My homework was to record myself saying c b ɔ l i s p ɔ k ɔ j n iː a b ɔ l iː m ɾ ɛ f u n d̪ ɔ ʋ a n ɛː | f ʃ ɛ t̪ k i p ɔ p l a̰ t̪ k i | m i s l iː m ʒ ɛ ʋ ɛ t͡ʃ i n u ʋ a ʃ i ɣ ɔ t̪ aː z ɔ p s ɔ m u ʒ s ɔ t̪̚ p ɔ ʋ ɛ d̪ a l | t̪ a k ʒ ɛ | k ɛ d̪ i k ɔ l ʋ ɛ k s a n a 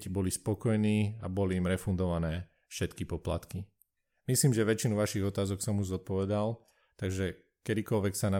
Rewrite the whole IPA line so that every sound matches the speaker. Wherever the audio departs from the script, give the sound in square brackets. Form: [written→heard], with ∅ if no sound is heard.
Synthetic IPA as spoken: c b ɔ l i s p ɔ k ɔ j n iː a b ɔ l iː m ɾ ɛ f u n d̪ ɔ ʋ a n ɛː | f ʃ ɛ t̪ k i p ɔ p l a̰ t̪ k i | m i s l iː m ʒ ɛ ʋ ɛ t͡ʃ i n u ʋ a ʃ i ɣ ɔ t̪ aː z ɔ [p→k] s ɔ m u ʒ [s→z] ɔ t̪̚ p ɔ ʋ ɛ d̪ a l | t̪ a [k→ɡ] ʒ ɛ | k ɛ d̪ i k ɔ l ʋ ɛ k s a n a